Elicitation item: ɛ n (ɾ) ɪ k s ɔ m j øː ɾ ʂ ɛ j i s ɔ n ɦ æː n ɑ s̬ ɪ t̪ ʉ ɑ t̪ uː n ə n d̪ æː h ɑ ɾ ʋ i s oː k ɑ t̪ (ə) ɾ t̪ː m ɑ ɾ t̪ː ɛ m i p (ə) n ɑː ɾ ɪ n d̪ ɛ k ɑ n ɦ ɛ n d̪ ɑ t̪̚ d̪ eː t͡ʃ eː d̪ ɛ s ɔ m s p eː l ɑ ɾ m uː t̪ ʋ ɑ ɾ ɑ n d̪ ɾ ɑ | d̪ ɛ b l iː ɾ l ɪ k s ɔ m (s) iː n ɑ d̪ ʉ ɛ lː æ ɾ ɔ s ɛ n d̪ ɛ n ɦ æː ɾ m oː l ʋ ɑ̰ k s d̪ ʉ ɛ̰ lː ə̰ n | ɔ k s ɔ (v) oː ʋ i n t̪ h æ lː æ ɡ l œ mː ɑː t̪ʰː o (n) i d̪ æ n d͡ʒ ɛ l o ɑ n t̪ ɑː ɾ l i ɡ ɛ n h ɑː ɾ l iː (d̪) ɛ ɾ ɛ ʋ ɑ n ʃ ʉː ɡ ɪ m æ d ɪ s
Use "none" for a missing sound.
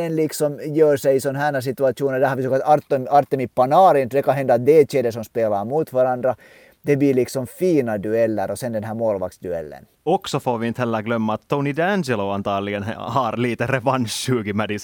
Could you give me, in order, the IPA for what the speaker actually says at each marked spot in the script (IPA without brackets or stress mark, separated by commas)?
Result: l, ɑ, ɑ, f, f, n, t̪